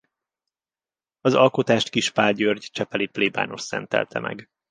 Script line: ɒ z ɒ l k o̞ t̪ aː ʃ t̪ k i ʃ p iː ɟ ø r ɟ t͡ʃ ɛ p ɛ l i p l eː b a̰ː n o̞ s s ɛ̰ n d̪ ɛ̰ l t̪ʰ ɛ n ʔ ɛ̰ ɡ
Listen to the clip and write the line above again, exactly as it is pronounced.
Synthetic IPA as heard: ɒ z ɒ l k o̞ t̪ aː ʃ t̪ k i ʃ p aː ɟ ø r ɟ t͡ʃ ɛ p ɛ l i p l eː b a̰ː n o̞ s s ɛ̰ n t̪ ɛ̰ l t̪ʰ ɛ m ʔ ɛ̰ ɡ